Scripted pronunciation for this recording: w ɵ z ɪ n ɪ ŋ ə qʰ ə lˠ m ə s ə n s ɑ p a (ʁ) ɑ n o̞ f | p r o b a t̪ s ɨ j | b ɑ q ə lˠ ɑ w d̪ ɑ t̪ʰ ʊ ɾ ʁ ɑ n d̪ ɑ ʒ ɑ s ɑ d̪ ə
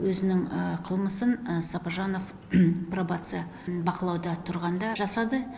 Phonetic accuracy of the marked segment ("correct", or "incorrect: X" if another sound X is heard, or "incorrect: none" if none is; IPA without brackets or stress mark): incorrect: ʒ